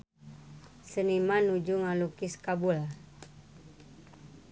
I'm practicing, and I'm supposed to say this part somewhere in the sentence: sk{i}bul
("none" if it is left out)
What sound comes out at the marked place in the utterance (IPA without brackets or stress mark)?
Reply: a